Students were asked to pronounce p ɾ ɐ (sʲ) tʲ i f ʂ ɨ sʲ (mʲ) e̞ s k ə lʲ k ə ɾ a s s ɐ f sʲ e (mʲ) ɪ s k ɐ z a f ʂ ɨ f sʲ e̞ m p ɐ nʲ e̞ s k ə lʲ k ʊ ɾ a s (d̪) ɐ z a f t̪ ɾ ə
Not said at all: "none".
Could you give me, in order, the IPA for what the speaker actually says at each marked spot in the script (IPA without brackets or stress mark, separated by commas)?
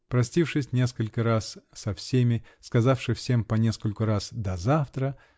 sʲ, nʲ, mʲ, d̪